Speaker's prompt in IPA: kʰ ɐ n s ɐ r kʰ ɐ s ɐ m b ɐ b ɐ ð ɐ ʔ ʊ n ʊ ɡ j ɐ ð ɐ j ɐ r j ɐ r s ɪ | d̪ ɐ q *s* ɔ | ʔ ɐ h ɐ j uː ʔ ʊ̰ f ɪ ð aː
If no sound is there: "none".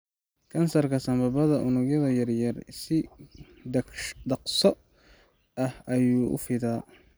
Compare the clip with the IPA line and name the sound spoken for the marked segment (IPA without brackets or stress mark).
s